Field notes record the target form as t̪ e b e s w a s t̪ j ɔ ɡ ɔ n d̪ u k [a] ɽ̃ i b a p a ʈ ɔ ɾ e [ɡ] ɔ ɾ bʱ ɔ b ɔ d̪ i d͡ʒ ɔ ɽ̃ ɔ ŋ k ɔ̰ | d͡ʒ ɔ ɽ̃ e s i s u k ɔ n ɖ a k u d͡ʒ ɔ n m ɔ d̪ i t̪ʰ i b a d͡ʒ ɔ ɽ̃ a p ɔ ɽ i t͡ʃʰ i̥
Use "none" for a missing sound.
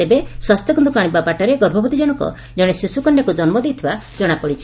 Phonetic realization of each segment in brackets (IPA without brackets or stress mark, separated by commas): a, ɡ